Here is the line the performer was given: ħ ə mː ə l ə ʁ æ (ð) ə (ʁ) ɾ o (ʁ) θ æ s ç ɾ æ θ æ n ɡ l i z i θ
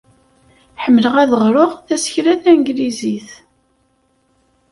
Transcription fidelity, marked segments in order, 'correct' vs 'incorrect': correct, correct, correct

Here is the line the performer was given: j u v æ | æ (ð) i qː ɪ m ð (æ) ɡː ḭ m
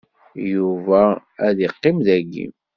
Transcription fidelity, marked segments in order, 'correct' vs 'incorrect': correct, correct

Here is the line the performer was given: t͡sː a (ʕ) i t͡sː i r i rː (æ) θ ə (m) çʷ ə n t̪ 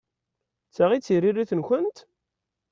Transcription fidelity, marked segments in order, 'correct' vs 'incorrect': incorrect: ʁ, incorrect: i, incorrect: n

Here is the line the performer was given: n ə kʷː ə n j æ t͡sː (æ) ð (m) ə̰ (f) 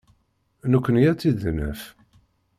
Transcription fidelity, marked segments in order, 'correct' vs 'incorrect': incorrect: i, incorrect: n, correct

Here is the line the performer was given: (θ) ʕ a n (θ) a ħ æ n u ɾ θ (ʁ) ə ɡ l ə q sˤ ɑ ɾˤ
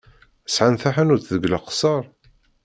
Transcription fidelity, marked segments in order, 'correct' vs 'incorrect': incorrect: s, correct, incorrect: ð

